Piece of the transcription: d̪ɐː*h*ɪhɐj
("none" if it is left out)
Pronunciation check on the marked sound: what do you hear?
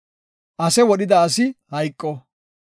s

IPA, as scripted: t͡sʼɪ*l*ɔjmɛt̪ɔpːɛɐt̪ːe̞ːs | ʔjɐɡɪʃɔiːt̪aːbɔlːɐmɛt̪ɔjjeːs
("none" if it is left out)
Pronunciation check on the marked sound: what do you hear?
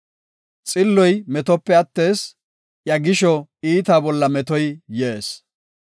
lː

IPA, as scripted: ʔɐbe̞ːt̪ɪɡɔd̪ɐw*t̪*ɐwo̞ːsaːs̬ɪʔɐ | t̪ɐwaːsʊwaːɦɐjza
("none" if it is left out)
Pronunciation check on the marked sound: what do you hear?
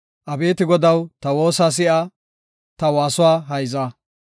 t̪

